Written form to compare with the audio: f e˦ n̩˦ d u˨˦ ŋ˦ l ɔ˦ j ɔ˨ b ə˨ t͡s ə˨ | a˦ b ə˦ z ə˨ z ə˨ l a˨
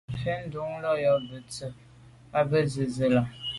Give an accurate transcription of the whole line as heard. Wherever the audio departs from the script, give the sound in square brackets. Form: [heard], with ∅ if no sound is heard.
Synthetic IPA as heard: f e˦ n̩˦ d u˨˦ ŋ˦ l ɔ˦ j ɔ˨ b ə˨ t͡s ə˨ | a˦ b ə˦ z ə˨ z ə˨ l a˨